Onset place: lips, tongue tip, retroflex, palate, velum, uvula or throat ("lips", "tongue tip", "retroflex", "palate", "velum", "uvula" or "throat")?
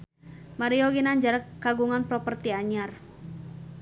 lips